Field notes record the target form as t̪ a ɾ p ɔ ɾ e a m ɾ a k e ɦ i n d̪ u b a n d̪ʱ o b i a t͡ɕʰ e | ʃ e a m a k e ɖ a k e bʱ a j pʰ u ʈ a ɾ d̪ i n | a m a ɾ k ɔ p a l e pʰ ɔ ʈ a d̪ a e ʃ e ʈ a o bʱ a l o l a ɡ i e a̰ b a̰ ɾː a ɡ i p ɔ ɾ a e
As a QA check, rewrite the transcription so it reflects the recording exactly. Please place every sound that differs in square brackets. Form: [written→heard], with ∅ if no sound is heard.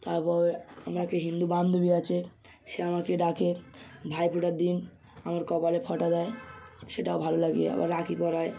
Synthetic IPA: t̪ a ɾ p ɔ ɾ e a m ɾ a k e ɦ i n d̪ u b a n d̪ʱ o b i a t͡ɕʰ e | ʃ e a m a k e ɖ a k e bʱ a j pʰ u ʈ a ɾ d̪ i n | a m a ɾ k ɔ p a l e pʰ ɔ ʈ a d̪ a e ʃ e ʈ a o bʱ a l o l a ɡ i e a̰ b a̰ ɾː a [ɡ→k] i p ɔ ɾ a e

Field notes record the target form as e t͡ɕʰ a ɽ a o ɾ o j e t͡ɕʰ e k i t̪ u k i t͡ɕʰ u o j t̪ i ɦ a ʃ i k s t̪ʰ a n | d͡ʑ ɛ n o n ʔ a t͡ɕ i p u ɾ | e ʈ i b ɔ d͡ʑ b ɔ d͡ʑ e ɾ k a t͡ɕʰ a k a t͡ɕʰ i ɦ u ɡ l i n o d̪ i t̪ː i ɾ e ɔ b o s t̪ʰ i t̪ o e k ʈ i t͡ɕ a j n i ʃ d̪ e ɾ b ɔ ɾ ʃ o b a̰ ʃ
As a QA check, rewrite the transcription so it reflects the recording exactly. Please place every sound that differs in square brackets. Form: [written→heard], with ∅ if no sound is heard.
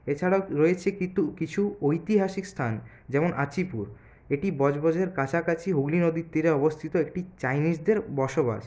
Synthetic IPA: e t͡ɕʰ a ɽ a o ɾ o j e t͡ɕʰ e k i t̪ u k i t͡ɕʰ u o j t̪ i ɦ a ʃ i k s t̪ʰ a n | d͡ʑ ɛ [n→m] o n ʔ a t͡ɕ i p u ɾ | e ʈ i b ɔ d͡ʑ b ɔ d͡ʑ e ɾ k a t͡ɕʰ a k a t͡ɕʰ i ɦ u ɡ l i n o d̪ i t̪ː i ɾ e ɔ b o s t̪ʰ i t̪ o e k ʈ i t͡ɕ a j n i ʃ d̪ e ɾ b ɔ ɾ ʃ o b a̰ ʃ

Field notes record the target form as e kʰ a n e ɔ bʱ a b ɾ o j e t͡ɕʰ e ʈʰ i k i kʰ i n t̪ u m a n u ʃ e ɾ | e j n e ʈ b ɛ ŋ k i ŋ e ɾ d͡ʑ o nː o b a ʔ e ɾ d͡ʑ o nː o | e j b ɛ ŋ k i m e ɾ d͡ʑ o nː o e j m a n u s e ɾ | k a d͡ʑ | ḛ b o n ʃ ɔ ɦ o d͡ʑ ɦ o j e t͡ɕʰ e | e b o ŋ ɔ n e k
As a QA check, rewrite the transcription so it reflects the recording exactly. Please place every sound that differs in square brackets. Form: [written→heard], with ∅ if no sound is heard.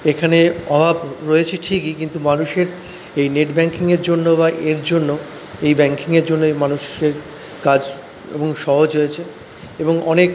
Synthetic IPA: e kʰ a n e ɔ bʱ a b ɾ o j e t͡ɕʰ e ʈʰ i k i [kʰ→k] i n t̪ u m a n u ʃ e ɾ | e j n e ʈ b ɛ ŋ k i ŋ e ɾ d͡ʑ o nː o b a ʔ e ɾ d͡ʑ o nː o | e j b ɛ ŋ k i [m→ŋ] e ɾ d͡ʑ o nː o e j m a n u [s→ʃ] e ɾ | k a d͡ʑ | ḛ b o [n→ŋ] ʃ ɔ ɦ o d͡ʑ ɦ o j e t͡ɕʰ e | e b o ŋ ɔ n e k

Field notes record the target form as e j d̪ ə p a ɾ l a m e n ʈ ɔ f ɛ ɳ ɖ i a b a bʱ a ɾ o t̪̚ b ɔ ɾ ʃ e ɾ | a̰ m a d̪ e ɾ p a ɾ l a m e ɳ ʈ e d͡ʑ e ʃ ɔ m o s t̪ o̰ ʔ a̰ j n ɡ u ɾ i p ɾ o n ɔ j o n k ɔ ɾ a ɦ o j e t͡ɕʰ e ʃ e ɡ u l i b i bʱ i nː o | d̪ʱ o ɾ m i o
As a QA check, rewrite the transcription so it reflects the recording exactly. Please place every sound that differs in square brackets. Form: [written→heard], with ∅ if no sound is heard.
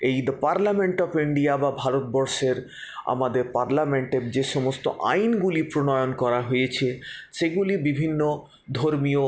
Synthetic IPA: e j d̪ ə p a ɾ l a m e [n→ɳ] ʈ ɔ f [ɛ→i] ɳ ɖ i a b a bʱ a ɾ o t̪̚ b ɔ ɾ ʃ e ɾ | a̰ m a d̪ e ɾ p a ɾ l a m e ɳ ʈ e d͡ʑ e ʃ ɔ m o s t̪ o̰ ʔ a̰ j n ɡ u [ɾ→l] i p ɾ o n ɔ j o n k ɔ ɾ a ɦ o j e t͡ɕʰ e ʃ e ɡ u l i b i bʱ i nː o | d̪ʱ o ɾ m i o

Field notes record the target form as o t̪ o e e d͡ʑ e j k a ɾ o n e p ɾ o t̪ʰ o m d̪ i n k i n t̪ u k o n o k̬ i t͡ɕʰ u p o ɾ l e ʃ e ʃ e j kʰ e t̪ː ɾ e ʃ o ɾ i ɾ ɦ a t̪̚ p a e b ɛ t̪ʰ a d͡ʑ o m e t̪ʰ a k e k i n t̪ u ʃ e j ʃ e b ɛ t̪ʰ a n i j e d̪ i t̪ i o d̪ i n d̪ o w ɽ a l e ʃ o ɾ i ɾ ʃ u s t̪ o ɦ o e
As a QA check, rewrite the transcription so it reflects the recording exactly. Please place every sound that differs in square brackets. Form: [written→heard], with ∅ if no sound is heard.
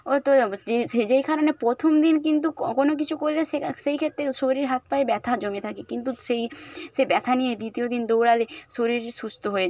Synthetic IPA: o t̪ o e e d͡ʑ e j k a ɾ o n e p ɾ o t̪ʰ o m d̪ i n k i n t̪ u k o n o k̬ i t͡ɕʰ u [p→k] o ɾ l e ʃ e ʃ e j kʰ e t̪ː ɾ e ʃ o ɾ i ɾ ɦ a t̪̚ p a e b ɛ t̪ʰ a d͡ʑ o m e t̪ʰ a k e k i n t̪ u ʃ e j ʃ e b ɛ t̪ʰ a n i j e d̪ i t̪ i o d̪ i n d̪ o w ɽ a l e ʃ o ɾ i ɾ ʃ u s t̪ o ɦ o e

